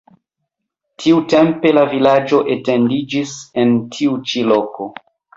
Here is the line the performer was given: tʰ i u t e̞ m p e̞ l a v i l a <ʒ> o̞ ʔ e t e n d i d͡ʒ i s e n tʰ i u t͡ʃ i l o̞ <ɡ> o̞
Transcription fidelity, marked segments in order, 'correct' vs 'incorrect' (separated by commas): incorrect, incorrect